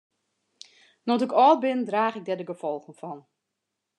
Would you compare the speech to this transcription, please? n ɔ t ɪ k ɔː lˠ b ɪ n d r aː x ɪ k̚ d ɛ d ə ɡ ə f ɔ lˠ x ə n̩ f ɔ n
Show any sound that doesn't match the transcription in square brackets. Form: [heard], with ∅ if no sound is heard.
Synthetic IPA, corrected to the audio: n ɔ t ɪ k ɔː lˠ b ɪ n d r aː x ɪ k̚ d ɛ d ə ɡ ə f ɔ lˠ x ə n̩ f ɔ n